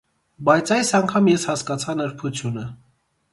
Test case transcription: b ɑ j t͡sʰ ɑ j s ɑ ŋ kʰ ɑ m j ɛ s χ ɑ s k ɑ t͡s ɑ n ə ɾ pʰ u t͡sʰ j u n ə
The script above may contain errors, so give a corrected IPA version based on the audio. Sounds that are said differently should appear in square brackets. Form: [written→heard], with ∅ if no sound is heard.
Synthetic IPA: b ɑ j t͡sʰ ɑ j s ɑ ŋ kʰ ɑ m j ɛ s [χ→h] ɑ s k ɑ [t͡s→t͡sʰ] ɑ n ə ɾ pʰ u t͡sʰ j u n ə